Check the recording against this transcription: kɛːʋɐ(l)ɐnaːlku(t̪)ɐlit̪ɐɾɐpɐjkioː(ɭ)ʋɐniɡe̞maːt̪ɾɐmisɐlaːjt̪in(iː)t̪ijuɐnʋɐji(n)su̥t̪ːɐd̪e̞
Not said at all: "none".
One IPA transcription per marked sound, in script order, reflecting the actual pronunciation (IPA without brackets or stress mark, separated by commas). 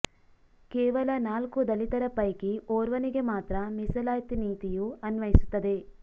l, d̪, ɾ, iː, none